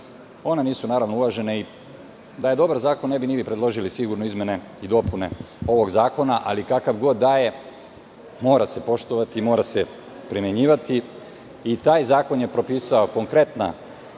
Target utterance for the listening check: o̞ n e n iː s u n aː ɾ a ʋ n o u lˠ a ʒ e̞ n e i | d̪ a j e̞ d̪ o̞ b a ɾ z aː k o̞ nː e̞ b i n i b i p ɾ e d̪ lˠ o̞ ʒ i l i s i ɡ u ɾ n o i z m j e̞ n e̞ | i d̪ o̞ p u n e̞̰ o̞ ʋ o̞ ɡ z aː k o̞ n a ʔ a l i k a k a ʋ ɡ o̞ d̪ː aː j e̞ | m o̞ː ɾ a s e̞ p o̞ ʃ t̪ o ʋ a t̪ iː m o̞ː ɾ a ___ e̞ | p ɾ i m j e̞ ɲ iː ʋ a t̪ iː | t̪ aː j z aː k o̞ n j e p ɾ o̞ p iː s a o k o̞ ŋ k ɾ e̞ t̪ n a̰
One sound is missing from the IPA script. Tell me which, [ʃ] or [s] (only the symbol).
s